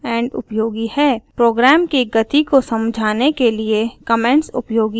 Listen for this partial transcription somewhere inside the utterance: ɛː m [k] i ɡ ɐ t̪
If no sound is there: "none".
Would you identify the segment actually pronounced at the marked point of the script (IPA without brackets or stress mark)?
k